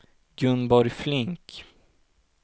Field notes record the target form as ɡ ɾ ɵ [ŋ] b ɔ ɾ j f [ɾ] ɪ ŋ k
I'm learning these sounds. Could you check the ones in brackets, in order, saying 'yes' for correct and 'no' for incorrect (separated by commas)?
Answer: no, no